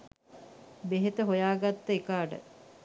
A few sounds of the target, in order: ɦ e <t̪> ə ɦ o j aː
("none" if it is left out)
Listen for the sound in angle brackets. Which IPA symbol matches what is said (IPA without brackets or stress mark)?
t̪